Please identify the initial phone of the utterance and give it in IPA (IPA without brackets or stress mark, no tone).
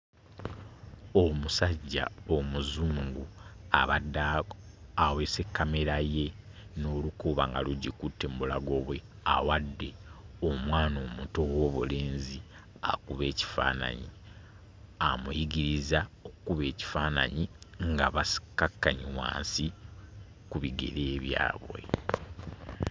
o̞